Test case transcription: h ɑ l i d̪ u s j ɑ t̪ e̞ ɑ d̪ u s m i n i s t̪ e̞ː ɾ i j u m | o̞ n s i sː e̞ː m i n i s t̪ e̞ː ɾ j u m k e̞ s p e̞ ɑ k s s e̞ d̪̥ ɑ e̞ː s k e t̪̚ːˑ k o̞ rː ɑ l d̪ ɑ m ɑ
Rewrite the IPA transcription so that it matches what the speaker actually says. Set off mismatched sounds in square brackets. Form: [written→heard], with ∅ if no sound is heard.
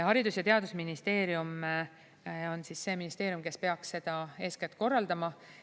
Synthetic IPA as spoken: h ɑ [l→ɾ] i d̪ u s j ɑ t̪ e̞ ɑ d̪ u s m i n i s t̪ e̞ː ɾ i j u m | o̞ n s i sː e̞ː m i n i s t̪ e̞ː ɾ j u m k e̞ s p e̞ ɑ k s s e̞ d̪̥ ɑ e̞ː s k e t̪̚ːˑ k o̞ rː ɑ l d̪ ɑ m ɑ